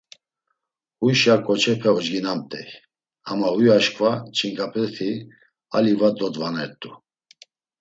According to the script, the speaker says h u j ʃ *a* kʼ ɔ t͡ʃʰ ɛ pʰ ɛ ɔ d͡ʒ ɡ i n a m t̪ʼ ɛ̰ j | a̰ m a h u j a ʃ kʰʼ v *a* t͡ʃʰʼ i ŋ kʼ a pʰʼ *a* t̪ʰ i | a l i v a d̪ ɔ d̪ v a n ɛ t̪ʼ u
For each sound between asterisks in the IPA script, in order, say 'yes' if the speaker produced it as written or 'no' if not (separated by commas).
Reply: yes, yes, no